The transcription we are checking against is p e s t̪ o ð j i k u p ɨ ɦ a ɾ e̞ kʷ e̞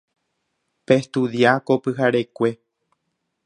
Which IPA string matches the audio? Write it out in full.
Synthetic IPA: p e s t̪ u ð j a k o p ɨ ɦ a ɾ e̞ kʷ e̞